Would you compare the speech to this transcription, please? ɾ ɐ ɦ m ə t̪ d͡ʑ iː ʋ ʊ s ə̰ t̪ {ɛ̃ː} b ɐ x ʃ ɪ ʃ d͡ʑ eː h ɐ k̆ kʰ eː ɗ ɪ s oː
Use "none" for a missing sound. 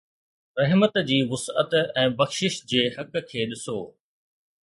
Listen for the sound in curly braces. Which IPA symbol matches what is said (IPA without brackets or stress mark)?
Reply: ɛ̃ː